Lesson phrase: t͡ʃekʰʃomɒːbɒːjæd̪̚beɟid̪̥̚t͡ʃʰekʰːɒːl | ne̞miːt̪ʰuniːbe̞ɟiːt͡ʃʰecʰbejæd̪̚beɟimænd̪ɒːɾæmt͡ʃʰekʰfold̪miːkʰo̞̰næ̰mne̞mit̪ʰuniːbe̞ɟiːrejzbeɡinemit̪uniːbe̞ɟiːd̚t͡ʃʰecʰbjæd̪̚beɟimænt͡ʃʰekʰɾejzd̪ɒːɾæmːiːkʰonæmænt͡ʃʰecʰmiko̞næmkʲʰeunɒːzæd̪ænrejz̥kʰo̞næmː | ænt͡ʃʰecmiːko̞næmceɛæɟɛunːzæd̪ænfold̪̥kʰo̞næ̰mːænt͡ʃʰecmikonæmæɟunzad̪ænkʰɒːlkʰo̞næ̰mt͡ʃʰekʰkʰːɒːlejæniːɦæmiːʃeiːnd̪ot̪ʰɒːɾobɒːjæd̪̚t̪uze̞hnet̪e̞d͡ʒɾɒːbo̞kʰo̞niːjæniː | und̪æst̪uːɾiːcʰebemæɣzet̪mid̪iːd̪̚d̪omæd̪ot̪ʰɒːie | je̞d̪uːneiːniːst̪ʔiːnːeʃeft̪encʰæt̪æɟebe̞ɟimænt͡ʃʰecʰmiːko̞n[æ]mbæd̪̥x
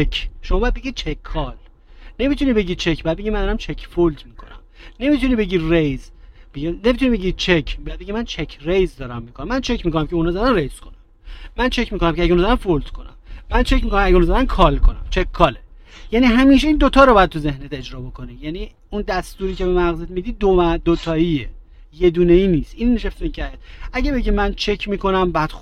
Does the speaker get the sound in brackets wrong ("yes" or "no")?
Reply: no